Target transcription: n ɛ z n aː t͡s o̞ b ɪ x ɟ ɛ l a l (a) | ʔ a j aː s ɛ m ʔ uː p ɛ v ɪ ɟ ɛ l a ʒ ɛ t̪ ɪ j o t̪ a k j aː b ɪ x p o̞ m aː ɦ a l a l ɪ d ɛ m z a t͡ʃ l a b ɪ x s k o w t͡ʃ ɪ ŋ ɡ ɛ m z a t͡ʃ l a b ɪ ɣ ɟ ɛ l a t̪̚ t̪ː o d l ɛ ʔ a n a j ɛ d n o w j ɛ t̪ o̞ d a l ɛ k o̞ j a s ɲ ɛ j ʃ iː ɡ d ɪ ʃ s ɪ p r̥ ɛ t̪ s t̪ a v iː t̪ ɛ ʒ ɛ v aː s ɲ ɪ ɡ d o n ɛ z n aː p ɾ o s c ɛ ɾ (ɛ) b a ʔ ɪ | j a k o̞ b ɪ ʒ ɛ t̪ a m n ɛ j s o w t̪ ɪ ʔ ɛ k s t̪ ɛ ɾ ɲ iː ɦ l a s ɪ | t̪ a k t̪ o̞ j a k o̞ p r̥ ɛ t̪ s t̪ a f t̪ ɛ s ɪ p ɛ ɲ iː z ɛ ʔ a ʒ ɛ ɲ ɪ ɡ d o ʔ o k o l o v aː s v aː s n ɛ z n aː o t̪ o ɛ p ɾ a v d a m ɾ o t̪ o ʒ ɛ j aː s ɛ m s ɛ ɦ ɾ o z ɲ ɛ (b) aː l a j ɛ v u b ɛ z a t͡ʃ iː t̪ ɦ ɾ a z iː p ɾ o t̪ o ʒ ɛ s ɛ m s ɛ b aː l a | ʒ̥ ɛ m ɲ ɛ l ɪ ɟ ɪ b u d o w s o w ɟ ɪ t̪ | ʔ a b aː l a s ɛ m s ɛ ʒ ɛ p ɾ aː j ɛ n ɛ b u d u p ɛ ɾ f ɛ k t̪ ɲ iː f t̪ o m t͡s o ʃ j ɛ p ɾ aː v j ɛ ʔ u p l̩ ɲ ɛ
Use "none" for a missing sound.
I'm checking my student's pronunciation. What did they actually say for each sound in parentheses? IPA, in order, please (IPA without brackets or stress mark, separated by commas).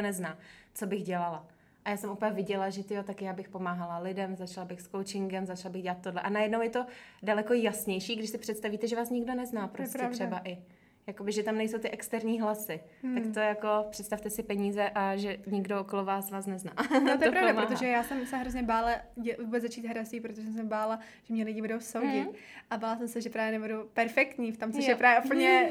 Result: a, ɛ, b